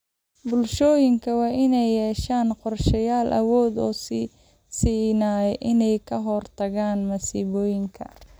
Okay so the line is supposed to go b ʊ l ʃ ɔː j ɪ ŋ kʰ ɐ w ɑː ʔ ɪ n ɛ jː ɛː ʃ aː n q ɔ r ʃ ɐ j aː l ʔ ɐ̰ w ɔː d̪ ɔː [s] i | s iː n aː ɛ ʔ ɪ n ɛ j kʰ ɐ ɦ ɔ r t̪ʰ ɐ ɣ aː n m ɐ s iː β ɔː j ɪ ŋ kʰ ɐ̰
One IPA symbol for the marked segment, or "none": s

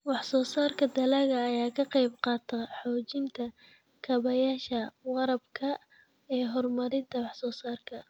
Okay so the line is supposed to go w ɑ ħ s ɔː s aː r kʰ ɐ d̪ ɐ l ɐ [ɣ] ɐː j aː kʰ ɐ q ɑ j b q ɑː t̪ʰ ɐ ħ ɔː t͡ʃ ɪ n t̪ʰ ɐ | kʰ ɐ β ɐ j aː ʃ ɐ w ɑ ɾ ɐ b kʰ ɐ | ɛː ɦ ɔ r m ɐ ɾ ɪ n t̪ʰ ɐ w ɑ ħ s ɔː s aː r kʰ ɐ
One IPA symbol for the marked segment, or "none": ɣ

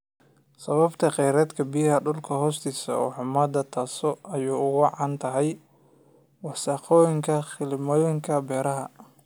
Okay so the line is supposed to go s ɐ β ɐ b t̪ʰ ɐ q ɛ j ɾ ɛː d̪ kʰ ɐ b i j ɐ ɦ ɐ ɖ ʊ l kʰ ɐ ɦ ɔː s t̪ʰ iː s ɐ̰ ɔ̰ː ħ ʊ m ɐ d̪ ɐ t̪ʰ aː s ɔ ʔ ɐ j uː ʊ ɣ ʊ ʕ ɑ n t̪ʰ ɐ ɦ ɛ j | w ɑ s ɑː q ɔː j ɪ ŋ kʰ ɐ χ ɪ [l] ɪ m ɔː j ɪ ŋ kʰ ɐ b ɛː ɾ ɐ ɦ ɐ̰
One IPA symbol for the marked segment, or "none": l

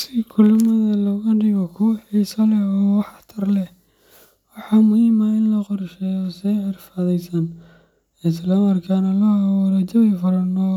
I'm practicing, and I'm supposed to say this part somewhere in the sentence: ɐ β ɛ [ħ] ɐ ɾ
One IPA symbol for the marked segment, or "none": f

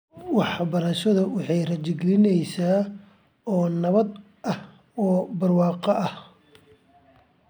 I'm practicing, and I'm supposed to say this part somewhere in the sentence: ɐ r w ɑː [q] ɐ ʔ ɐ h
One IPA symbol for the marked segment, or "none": q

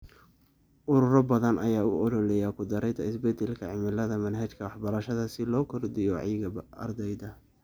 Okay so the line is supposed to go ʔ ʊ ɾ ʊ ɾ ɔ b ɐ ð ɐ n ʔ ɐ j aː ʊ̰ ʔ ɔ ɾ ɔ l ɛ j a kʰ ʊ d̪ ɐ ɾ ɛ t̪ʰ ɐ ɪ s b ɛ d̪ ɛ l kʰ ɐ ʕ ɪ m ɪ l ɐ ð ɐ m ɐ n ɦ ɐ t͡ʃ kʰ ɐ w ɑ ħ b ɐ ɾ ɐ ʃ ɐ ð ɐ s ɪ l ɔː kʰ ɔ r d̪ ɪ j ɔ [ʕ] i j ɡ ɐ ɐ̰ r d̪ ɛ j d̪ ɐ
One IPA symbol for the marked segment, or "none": ʕ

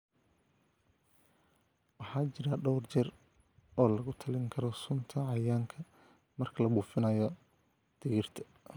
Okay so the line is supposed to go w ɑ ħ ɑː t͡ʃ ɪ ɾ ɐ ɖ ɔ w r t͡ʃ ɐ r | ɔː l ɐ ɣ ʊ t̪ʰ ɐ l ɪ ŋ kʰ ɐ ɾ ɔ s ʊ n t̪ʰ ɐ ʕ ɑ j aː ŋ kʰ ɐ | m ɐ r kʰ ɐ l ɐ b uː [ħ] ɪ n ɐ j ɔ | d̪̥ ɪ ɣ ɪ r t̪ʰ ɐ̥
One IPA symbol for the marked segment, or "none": f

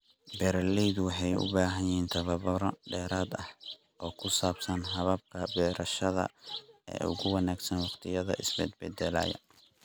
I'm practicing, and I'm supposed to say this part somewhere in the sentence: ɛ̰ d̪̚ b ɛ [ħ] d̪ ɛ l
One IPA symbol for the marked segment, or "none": none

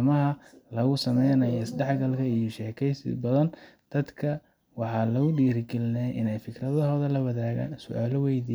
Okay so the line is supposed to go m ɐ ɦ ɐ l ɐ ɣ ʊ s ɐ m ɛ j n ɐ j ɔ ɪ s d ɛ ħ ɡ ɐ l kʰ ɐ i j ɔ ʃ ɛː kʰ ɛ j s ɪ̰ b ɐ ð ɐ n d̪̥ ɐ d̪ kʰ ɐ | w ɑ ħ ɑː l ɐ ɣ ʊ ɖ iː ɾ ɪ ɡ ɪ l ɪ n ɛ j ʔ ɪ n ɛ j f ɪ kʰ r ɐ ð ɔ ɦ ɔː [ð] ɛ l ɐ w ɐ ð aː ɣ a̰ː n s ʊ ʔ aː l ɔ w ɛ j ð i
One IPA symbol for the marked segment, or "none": ð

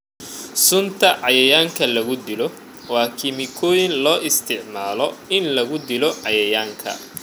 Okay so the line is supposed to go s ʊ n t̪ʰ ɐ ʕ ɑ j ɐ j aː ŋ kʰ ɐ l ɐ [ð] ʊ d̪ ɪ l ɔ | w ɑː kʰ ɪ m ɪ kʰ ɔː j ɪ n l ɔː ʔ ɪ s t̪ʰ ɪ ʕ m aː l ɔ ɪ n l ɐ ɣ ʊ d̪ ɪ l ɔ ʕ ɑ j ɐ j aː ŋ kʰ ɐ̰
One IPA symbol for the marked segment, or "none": ɣ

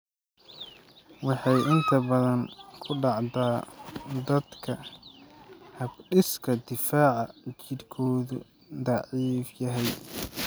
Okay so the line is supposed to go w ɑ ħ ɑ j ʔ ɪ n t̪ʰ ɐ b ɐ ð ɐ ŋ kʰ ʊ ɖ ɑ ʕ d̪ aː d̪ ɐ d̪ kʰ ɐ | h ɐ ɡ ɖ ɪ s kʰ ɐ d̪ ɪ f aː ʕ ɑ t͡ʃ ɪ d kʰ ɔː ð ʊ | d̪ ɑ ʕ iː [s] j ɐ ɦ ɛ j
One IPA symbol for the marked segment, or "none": f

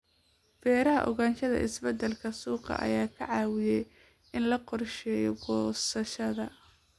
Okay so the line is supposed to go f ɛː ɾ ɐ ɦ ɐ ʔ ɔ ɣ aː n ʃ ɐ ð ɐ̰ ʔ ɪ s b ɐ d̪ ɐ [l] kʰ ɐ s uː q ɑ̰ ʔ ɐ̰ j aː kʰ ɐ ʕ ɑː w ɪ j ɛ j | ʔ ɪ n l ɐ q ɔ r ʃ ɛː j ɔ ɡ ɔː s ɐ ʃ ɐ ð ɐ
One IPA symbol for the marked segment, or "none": l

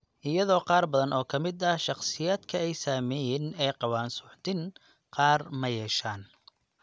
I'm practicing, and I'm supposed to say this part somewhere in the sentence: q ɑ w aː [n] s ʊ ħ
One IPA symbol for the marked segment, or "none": n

